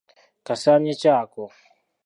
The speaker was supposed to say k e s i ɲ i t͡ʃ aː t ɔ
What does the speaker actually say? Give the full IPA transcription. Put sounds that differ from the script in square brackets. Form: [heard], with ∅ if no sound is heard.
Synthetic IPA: k [a] s [a] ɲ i t͡ʃ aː [k] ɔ

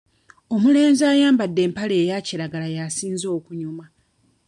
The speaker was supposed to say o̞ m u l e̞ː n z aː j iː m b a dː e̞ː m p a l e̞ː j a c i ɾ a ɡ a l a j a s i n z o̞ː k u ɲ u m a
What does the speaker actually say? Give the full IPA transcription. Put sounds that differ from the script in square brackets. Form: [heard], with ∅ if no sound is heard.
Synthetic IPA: o̞ m u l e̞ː n z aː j [aː] m b a dː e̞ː m p a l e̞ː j a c i ɾ a ɡ a l a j a s [iː] n z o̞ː k u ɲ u m a

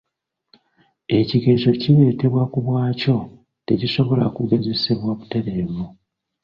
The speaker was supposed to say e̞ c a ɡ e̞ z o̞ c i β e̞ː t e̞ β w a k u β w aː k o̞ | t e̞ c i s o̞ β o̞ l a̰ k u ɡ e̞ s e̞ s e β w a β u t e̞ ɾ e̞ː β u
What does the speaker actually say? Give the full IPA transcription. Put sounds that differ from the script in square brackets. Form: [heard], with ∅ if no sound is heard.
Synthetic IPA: e̞ c [i] ɡ e̞ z o̞ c i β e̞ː t e̞ β w a k u β w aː [c] o̞ | t e̞ c i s o̞ β o̞ l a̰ k u ɡ e̞ [z] e̞ s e β w a β u t e̞ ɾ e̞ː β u

